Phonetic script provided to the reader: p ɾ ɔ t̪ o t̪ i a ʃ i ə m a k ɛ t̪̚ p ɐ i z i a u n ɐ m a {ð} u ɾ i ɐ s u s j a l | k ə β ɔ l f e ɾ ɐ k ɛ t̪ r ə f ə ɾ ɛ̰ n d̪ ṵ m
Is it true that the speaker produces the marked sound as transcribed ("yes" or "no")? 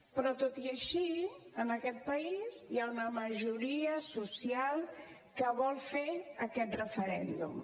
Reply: no